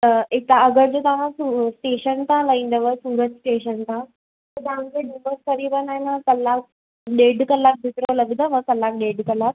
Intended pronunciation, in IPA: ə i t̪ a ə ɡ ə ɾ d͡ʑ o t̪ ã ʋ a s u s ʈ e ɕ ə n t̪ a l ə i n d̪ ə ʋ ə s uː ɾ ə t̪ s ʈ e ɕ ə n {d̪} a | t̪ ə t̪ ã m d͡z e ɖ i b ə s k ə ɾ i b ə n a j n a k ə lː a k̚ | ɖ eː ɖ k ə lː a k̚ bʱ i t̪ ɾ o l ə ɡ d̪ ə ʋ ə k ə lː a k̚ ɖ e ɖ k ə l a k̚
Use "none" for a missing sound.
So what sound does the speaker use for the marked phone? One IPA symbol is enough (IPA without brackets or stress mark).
t̪